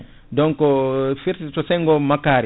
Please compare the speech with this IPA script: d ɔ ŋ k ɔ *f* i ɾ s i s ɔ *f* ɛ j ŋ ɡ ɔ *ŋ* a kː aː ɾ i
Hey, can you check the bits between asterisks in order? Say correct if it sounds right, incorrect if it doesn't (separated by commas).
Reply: correct, incorrect, incorrect